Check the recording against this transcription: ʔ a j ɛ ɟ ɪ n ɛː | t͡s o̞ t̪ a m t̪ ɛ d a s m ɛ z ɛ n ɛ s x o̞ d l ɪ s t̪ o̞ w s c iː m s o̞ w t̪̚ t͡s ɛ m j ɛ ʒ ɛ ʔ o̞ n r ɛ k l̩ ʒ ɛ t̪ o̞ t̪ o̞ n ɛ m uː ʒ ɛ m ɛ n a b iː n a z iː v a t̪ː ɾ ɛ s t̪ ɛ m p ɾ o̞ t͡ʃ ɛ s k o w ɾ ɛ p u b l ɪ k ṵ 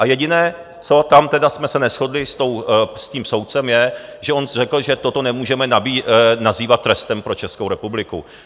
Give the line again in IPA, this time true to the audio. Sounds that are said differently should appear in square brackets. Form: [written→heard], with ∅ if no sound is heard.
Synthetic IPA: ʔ a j ɛ ɟ ɪ n ɛː | t͡s o̞ t̪ a m t̪ ɛ d a s m ɛ [z→s] ɛ n ɛ s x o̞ d l ɪ s t̪ o̞ w s c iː m s o̞ w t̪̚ t͡s ɛ m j ɛ ʒ ɛ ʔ o̞ n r ɛ k l̩ ʒ ɛ t̪ o̞ t̪ o̞ n ɛ m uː ʒ ɛ m ɛ n a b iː n a z iː v a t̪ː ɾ ɛ s t̪ ɛ m p ɾ o̞ t͡ʃ ɛ s k o w ɾ ɛ p u b l ɪ k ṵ